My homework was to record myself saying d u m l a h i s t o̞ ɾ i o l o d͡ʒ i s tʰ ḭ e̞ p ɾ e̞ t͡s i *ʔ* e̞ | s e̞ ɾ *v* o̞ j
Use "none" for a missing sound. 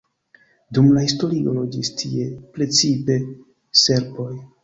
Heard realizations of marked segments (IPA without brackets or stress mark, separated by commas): p, b